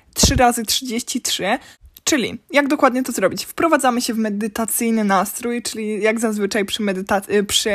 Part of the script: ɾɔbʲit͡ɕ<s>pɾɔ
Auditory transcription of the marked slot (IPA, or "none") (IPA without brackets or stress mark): f